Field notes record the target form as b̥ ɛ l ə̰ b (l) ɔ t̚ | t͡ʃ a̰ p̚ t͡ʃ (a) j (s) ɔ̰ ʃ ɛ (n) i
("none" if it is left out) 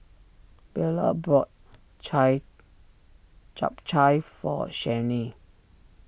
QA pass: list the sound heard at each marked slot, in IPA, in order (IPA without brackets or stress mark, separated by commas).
ɹ, a, f, n